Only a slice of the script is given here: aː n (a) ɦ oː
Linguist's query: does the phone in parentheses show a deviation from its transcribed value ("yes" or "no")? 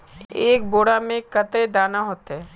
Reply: no